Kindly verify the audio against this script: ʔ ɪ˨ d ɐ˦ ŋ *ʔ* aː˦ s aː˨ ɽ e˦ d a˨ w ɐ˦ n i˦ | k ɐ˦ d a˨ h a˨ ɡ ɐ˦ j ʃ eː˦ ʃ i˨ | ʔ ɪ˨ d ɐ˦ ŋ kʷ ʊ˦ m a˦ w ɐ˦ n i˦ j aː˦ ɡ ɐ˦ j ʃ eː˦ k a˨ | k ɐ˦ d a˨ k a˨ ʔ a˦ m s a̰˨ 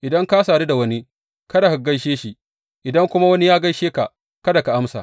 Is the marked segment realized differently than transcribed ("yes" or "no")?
yes